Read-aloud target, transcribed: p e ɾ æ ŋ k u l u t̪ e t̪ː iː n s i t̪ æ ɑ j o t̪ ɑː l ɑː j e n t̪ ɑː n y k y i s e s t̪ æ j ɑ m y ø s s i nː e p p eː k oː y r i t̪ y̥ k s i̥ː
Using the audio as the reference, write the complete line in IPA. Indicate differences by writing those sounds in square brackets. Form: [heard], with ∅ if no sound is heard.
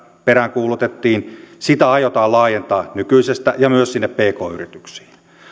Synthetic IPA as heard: p e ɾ æ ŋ k [uː] l u t̪ e t̪ː iː n s i t̪ æ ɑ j o t̪ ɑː l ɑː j e n t̪ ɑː n y k y i s e s t̪ æ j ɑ m y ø s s i nː e p p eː k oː y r i t̪ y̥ k s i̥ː